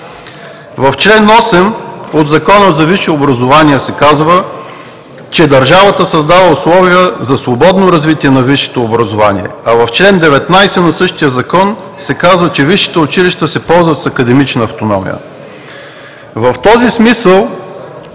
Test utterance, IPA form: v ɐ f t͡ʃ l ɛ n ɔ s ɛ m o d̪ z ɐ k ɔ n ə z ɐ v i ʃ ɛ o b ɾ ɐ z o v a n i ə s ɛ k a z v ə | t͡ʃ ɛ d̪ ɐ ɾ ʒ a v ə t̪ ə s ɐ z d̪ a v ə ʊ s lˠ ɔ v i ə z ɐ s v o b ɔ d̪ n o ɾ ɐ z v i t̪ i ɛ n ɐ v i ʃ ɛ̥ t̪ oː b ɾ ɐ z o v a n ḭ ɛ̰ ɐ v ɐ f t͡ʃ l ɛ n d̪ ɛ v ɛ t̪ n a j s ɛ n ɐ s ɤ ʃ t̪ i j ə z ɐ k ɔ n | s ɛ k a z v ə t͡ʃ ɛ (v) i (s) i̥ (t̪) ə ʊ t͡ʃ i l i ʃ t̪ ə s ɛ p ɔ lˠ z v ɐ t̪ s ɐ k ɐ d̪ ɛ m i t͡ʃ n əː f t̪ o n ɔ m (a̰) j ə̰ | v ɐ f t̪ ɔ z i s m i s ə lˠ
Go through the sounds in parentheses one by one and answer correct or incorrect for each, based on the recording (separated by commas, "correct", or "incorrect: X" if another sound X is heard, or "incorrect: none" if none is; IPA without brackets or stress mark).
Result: correct, incorrect: ʃ, correct, incorrect: ḭ